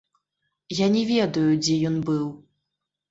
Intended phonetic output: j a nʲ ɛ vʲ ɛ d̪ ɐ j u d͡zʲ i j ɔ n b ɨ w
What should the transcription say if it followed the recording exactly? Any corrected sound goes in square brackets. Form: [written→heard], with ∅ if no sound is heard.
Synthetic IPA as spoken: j a nʲ ɛ vʲ ɛ d̪ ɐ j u d͡zʲ [i→ɛ] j ɔ n b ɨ w